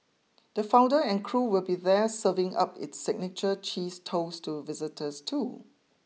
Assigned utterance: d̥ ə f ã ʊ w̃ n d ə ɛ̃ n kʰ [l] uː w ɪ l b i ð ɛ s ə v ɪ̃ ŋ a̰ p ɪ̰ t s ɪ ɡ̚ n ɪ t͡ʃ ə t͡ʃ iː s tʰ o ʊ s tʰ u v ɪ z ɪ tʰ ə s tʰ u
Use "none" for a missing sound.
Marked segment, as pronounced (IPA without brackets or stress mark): ɹ